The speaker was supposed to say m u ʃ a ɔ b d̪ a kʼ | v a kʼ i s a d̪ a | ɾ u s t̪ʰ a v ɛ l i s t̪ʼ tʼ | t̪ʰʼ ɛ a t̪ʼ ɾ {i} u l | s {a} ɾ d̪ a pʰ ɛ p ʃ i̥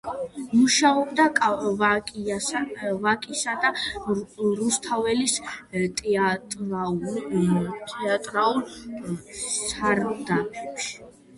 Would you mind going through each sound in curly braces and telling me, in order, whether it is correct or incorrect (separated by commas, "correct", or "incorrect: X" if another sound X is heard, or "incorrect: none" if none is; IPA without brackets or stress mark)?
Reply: incorrect: a, correct